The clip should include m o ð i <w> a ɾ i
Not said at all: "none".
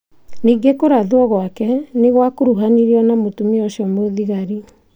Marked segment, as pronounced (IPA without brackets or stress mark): ɣ